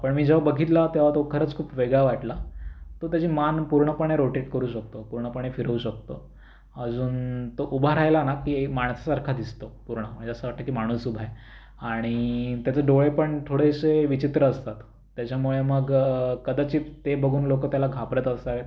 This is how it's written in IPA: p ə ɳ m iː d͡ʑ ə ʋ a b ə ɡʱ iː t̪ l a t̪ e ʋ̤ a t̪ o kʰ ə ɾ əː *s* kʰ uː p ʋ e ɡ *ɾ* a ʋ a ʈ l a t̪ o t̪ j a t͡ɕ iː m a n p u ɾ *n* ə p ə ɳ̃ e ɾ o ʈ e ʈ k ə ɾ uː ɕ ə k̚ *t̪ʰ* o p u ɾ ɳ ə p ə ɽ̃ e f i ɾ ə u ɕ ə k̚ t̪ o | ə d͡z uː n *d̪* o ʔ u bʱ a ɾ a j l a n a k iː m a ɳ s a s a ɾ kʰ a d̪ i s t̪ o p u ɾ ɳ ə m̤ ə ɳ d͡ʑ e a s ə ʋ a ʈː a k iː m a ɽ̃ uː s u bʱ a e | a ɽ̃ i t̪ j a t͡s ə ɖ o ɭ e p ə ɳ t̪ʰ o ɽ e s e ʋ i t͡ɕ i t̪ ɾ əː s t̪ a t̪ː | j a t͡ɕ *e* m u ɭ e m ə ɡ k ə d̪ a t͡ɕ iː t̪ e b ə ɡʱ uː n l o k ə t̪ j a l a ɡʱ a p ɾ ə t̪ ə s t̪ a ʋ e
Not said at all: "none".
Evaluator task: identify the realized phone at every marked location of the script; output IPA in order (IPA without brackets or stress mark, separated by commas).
t͡s, ɭ, ɳ, t̪, t̪, a